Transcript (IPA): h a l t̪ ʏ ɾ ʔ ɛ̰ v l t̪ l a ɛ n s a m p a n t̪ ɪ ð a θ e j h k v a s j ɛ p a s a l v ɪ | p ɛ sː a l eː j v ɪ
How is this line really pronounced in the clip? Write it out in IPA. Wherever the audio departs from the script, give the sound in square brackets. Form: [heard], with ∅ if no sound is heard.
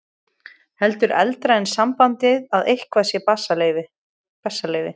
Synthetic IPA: h [ɛ] l t̪ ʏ ɾ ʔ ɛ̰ [∅] l t̪ [ɾ] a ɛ n s a m p a n t̪ ɪ ð a [ð] e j h k v a s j ɛ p a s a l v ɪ | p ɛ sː a l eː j v ɪ